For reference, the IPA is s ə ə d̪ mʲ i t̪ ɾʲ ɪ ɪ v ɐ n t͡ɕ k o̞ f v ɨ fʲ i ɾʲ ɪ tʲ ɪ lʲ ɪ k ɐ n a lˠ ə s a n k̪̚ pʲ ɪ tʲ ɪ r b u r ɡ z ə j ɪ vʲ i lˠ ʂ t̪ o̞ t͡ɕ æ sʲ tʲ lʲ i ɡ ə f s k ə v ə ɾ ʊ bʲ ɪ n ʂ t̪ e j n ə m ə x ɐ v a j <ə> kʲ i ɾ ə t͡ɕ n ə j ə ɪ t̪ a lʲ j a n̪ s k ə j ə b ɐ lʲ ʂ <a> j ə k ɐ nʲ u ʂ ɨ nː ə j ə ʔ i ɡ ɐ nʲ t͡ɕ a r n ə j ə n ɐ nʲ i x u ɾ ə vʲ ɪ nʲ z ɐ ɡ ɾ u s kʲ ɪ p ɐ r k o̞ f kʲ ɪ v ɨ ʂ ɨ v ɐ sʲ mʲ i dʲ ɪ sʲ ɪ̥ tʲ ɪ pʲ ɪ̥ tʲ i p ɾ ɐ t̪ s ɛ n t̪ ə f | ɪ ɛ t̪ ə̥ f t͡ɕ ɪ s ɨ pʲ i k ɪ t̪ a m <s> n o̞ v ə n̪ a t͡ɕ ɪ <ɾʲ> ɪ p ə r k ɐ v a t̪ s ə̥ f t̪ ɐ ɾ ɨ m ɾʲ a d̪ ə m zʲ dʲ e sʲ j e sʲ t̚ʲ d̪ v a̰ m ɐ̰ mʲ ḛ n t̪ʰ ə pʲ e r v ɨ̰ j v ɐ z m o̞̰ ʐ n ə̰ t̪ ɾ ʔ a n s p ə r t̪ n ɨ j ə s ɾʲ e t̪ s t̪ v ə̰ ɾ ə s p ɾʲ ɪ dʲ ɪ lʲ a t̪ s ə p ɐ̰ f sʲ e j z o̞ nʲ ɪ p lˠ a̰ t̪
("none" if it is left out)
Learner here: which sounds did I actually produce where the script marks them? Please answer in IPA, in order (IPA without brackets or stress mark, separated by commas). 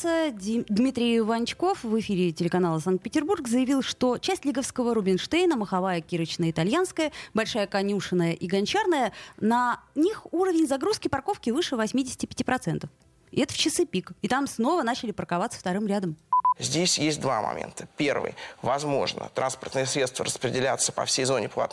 ə, a, s, lʲ